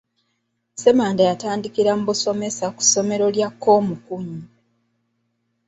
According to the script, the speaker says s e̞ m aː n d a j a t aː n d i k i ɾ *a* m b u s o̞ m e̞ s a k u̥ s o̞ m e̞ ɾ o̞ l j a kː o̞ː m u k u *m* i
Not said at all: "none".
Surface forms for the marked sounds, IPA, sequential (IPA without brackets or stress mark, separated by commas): a, ɲ